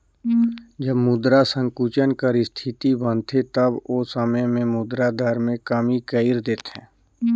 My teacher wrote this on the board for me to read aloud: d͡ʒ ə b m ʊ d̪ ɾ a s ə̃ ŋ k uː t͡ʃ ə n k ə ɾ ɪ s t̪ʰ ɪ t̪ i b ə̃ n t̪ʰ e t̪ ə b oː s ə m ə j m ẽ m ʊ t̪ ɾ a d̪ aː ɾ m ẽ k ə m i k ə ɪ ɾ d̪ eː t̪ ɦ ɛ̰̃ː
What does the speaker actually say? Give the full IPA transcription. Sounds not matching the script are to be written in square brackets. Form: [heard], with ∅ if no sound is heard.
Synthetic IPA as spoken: d͡ʒ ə b m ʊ d̪ ɾ a s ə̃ ŋ k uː t͡ʃ ə n k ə ɾ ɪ s t̪ʰ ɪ t̪ i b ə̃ n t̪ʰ e t̪ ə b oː s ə m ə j m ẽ m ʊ [d̪] ɾ a d̪ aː ɾ m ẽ k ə m i k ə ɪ ɾ d̪ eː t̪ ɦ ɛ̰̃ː

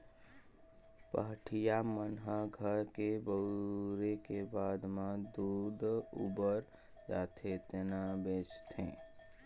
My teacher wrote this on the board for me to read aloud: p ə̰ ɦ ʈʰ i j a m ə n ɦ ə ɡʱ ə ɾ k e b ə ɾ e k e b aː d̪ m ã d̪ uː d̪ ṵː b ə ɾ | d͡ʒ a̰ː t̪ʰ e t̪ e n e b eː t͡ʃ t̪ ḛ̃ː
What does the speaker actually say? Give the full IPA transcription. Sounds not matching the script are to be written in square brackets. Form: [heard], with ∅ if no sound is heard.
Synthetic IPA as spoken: p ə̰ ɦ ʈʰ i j a m ə n ɦ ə ɡʱ ə ɾ k e b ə ɾ e k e b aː d̪ m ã d̪ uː d̪ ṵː b ə ɾ | d͡ʒ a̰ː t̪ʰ e t̪ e n [a] b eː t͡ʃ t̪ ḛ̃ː

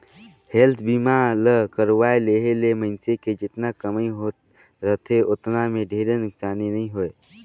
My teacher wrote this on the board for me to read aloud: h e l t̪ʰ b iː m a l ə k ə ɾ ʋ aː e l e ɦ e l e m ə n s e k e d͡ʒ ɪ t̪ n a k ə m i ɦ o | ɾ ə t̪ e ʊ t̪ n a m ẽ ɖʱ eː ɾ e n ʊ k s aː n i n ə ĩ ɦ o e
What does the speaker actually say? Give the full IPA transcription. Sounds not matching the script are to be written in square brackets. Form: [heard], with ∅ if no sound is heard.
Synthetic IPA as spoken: h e l t̪ʰ b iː m a l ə k ə ɾ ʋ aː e l e ɦ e l e m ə n s e k e d͡ʒ ɪ t̪ n a k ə m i ɦ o | ɾ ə [t̪ʰ] e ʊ t̪ n a m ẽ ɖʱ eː ɾ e n ʊ k s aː n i n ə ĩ ɦ o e

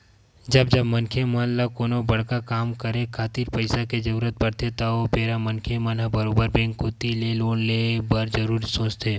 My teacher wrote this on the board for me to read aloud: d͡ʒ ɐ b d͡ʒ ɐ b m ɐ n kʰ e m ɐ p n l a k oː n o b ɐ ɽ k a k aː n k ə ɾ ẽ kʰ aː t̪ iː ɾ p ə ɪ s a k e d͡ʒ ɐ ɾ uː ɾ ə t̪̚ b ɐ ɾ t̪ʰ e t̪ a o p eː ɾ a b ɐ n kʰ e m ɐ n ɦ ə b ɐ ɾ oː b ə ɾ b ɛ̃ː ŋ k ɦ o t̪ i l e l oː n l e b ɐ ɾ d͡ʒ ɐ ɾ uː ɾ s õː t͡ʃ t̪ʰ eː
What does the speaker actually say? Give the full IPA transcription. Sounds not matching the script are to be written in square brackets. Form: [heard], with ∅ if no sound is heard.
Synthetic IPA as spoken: d͡ʒ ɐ b d͡ʒ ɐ b m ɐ n kʰ e m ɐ [∅] n l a k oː n o b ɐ ɽ k a k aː [m] k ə ɾ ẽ kʰ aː t̪ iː ɾ p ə ɪ s a k e d͡ʒ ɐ ɾ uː ɾ ə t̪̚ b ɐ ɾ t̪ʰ e t̪ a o p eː ɾ a [m] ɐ n kʰ e m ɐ n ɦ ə b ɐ ɾ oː b ə ɾ b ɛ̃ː ŋ k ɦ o t̪ i l e l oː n l e b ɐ ɾ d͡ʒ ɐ ɾ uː ɾ s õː t͡ʃ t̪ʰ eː

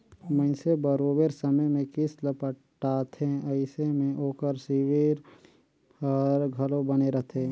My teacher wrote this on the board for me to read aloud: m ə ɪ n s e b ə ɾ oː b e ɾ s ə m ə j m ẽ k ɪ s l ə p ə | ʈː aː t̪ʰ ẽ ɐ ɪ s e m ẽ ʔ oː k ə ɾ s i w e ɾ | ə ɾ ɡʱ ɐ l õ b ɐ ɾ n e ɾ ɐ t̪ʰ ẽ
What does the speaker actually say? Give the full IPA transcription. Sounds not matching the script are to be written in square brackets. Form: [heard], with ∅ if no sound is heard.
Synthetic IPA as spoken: m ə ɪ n s e b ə ɾ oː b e ɾ s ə m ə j m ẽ k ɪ s l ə p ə | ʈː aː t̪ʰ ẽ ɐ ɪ s e m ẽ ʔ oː k ə ɾ s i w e ɾ | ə ɾ ɡʱ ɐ l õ b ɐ [∅] n e ɾ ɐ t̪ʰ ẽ

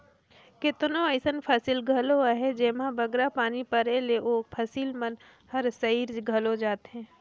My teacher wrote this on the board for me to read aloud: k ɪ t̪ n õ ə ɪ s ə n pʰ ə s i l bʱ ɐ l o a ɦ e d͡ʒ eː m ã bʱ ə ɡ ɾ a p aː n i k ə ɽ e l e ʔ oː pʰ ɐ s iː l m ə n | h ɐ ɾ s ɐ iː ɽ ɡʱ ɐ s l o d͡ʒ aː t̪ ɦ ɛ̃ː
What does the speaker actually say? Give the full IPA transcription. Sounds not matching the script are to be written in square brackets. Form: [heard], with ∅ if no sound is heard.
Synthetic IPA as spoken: k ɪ t̪ n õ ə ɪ s ə n pʰ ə s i l [ɡʱ] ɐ l o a ɦ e d͡ʒ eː m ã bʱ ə ɡ ɾ a p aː n i [p] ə [ɾ] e l e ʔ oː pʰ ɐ s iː l m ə n | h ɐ ɾ s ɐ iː [ɾ] ɡʱ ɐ [∅] l o d͡ʒ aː t̪ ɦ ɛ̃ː

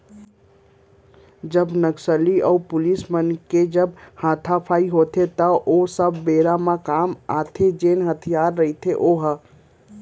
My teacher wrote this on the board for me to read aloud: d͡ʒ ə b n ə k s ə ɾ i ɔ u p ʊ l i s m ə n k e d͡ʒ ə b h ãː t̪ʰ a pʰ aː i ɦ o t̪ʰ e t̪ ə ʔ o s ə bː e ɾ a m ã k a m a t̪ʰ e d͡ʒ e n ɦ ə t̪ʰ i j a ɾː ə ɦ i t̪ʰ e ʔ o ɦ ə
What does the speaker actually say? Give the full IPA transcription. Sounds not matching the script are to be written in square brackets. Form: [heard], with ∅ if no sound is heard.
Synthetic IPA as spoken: d͡ʒ ə b n ə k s ə [l] i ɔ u p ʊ l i s m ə n k e d͡ʒ ə b h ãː t̪ʰ a pʰ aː i ɦ o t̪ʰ e t̪ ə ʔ o s ə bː e ɾ a m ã k a m a t̪ʰ e d͡ʒ e n ɦ ə t̪ʰ i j a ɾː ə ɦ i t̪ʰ e ʔ o ɦ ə

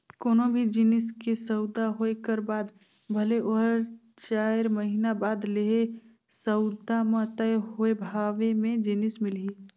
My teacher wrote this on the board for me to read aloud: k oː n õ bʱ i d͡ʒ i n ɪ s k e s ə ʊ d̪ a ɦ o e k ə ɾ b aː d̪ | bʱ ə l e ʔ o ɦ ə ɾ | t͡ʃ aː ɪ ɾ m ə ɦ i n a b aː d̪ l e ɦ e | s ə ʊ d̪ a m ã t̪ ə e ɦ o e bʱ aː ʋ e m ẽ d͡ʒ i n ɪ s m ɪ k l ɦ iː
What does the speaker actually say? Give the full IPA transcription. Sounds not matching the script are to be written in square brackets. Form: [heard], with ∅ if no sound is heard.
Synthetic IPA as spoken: k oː n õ bʱ i d͡ʒ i n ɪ s k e s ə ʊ d̪ a ɦ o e k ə ɾ b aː d̪ | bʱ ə l e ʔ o ɦ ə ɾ | t͡ʃ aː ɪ ɾ m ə ɦ i n a b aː d̪ l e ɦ e | s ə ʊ d̪ a m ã t̪ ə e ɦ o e bʱ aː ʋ e m ẽ d͡ʒ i n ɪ s m ɪ [∅] l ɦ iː

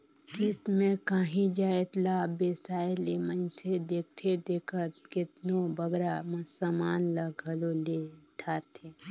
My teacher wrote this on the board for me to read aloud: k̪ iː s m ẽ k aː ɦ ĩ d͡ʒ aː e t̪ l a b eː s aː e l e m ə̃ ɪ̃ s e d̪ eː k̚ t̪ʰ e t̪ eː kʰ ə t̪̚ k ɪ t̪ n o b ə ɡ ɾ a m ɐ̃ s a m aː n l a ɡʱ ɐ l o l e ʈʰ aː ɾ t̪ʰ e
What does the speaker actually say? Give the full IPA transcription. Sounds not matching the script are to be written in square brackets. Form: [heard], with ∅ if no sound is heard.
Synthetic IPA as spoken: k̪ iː s m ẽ k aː ɦ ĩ d͡ʒ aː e t̪ l a b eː s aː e l e m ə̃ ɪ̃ s e d̪ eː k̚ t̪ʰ e [d̪] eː kʰ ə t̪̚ k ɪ t̪ n o b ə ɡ ɾ a m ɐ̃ s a m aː n l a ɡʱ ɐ l o l e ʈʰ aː ɾ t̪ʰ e

